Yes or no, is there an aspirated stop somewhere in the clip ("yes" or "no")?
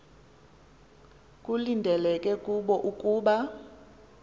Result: no